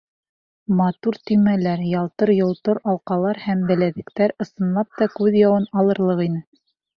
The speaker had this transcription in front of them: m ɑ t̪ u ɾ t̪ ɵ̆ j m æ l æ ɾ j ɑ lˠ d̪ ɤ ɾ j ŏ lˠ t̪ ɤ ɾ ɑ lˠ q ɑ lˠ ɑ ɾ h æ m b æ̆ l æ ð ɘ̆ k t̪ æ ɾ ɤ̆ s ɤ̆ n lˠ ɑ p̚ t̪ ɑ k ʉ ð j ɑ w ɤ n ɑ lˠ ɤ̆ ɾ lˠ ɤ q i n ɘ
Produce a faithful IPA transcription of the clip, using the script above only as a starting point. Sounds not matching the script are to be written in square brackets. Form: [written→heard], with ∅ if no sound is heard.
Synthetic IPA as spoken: m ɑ t̪ u ɾ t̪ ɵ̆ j m æ l æ ɾ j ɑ lˠ [d̪→t̪] ɤ ɾ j ŏ lˠ t̪ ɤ ɾ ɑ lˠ q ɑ lˠ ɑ ɾ h æ m b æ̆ l æ ð ɘ̆ k t̪ æ ɾ ɤ̆ s ɤ̆ n lˠ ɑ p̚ t̪ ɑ k ʉ ð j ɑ w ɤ n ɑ lˠ ɤ̆ ɾ lˠ ɤ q i n ɘ